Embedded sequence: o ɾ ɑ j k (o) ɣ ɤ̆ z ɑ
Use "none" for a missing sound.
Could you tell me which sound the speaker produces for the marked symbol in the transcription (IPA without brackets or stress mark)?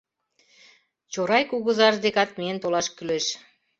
u